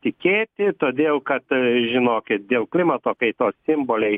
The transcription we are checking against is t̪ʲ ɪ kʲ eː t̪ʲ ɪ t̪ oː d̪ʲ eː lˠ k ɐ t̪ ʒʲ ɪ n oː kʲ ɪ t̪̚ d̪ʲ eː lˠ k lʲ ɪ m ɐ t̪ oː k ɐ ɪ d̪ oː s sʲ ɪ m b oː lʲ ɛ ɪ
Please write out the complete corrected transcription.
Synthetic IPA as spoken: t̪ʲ ɪ kʲ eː t̪ʲ ɪ t̪ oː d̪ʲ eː lˠ k ɐ t̪ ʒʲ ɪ n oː kʲ ɪ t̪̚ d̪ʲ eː lˠ k lʲ ɪ m ɐ t̪ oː k ɐ ɪ t̪ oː s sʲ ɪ m b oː lʲ ɛ ɪ